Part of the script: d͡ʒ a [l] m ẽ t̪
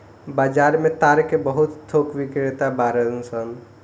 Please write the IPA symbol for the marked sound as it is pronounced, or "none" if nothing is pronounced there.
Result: ɾ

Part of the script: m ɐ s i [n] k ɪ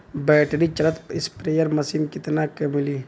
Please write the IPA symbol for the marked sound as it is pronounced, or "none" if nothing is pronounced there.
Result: m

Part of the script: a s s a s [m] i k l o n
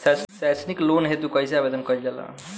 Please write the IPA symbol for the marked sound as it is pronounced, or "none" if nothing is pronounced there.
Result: n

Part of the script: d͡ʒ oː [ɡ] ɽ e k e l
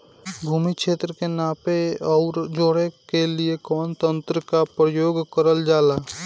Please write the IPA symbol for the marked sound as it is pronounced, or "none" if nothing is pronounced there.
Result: none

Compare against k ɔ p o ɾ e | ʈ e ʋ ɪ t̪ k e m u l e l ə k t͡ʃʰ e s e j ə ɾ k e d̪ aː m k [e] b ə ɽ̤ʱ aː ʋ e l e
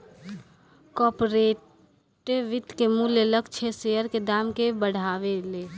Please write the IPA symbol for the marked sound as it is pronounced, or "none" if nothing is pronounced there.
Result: e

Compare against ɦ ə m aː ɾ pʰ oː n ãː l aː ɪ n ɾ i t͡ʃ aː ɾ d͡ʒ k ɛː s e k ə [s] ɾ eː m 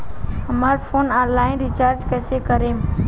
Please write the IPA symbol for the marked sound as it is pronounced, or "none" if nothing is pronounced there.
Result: none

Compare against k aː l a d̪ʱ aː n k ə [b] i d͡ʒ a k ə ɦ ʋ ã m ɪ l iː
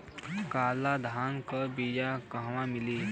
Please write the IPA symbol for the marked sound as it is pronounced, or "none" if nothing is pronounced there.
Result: b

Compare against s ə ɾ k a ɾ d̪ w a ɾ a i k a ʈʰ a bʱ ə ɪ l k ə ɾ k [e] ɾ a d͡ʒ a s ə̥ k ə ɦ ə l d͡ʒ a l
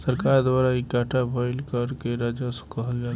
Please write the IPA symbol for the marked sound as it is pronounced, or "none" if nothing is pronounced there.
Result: e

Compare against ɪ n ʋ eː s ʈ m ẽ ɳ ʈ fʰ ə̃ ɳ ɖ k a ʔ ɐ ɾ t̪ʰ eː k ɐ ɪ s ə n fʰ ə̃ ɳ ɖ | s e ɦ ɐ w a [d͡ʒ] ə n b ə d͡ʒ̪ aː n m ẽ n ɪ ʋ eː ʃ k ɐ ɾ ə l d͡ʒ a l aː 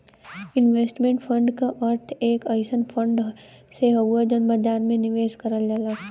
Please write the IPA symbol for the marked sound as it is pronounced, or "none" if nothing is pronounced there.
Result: d͡ʒ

